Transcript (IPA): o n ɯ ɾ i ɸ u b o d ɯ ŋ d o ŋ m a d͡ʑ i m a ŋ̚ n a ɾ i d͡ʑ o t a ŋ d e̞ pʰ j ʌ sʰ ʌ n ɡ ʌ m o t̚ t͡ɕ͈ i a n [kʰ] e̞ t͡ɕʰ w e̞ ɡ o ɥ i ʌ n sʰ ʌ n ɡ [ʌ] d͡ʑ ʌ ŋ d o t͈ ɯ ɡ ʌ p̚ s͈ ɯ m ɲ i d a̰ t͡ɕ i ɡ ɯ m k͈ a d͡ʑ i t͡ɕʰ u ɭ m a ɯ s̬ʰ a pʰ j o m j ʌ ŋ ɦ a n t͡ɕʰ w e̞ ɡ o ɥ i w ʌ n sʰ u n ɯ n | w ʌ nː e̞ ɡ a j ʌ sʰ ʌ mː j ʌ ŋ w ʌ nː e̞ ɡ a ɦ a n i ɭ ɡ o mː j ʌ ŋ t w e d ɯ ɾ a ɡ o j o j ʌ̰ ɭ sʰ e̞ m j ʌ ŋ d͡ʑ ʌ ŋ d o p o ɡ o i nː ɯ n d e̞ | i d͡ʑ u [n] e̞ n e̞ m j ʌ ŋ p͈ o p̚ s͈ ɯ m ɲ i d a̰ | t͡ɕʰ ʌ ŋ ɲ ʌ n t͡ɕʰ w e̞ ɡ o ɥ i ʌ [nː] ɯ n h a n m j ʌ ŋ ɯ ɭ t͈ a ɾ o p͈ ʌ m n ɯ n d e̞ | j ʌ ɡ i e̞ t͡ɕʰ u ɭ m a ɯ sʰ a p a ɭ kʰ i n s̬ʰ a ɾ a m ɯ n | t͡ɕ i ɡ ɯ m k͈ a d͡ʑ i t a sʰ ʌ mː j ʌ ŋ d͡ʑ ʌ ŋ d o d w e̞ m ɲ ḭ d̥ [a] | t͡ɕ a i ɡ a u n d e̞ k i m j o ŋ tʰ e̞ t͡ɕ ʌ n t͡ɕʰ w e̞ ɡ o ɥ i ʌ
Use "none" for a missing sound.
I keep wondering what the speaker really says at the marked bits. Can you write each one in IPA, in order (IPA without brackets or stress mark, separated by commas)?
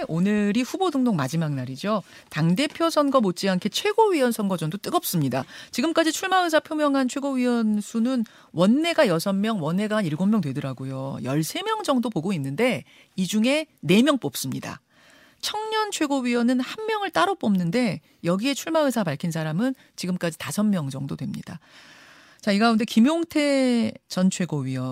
kʰ, ʌ, ŋ, n, a